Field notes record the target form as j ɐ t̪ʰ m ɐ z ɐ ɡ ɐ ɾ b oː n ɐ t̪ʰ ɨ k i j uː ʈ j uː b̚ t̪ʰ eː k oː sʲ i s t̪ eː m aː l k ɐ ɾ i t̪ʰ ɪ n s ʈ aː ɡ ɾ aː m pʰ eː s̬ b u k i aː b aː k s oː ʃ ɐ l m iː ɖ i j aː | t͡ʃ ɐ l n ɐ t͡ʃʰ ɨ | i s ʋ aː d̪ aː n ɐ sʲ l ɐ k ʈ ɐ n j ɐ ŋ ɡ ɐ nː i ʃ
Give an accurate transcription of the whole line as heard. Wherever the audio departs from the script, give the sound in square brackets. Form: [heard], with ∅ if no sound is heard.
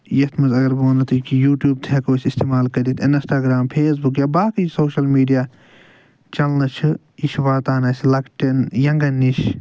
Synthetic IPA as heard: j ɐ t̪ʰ m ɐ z ɐ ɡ ɐ ɾ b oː n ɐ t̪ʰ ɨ k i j uː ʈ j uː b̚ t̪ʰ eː k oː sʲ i s t̪ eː m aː l k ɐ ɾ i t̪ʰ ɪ n s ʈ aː ɡ ɾ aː m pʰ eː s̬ b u k [j] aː b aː k s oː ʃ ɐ l m iː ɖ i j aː | t͡ʃ ɐ l n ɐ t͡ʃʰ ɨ | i [ʃ] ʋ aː [t̪] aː n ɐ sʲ l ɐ k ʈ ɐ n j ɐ ŋ ɡ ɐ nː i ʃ